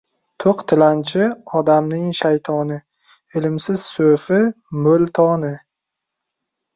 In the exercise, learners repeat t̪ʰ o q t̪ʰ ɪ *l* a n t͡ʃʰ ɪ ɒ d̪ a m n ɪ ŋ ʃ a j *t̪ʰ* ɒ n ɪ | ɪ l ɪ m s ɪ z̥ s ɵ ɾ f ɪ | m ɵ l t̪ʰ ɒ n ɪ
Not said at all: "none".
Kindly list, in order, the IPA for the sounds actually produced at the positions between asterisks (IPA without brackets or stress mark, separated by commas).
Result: l, t̪ʰ